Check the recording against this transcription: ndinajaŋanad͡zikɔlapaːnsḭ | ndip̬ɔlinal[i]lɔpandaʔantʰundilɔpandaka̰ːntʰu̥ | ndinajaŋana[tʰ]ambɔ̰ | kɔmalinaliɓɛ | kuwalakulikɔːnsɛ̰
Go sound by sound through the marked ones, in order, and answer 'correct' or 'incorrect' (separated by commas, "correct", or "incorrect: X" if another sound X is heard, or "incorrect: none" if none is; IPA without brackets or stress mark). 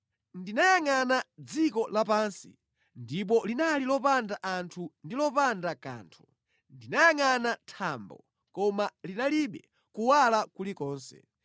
correct, correct